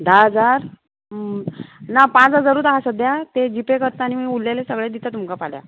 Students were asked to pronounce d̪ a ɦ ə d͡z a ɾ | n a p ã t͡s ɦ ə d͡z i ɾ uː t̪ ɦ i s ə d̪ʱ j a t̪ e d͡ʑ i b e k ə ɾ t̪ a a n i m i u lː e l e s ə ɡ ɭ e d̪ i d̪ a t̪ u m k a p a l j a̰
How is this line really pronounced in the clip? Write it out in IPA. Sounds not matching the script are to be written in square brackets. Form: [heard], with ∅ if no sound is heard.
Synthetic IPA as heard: d̪ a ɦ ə d͡z a ɾ | n a p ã t͡s ɦ ə d͡z [a] ɾ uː t̪ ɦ [a] s ə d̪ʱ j a t̪ e d͡ʑ i [p] e k ə ɾ t̪ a a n i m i u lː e l e s ə ɡ ɭ e d̪ i [t̪] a t̪ u m k a p a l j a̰